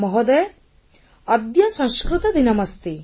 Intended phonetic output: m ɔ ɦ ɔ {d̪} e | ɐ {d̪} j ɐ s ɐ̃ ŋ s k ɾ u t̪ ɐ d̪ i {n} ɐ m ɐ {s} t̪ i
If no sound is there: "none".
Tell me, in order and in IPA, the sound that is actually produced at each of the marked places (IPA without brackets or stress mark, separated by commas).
d̪, d̪, n, s